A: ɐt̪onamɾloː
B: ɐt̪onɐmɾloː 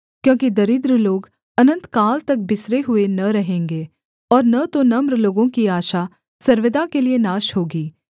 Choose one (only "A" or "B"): B